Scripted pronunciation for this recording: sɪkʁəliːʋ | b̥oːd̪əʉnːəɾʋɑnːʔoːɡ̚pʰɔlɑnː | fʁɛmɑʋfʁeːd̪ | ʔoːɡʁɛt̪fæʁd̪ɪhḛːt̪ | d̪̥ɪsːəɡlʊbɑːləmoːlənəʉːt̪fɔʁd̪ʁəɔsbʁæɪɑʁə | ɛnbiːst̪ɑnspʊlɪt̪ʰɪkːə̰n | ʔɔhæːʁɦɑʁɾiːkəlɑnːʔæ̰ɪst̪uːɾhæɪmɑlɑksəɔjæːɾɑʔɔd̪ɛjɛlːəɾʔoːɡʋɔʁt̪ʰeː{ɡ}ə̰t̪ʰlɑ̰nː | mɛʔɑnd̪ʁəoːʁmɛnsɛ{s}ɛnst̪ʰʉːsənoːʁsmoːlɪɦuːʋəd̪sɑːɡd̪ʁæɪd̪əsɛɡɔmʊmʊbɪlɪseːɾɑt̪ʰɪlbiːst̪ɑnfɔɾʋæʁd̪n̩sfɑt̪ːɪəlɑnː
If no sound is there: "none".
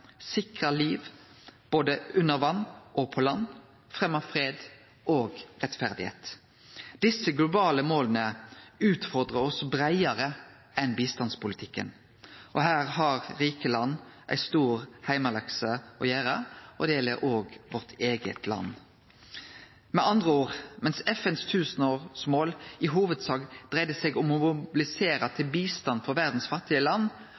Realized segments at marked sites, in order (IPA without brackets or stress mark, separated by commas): ɡ, f